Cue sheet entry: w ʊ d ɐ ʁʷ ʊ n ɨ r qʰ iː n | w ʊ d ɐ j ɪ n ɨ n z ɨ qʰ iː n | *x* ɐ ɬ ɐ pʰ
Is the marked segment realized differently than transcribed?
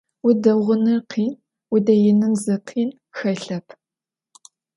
no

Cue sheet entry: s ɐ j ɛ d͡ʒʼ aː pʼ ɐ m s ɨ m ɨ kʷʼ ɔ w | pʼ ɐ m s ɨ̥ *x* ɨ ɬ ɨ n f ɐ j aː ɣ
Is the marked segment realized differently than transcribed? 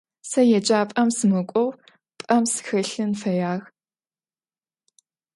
no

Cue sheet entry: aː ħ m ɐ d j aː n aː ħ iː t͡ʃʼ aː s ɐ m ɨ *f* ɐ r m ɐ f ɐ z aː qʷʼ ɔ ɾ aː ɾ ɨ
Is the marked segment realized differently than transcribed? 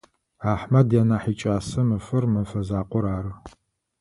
no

